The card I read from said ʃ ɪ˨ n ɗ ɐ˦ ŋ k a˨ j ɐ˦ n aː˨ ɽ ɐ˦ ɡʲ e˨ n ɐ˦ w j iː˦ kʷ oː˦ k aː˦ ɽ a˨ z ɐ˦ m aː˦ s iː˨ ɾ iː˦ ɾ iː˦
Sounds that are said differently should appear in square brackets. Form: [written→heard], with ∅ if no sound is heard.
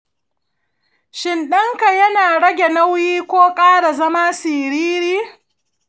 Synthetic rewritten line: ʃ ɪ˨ n ɗ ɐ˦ ŋ k a˨ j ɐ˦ n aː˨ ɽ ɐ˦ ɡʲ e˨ n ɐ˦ w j iː˦ kʷ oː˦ [k→kʼ] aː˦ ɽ a˨ z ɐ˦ m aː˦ s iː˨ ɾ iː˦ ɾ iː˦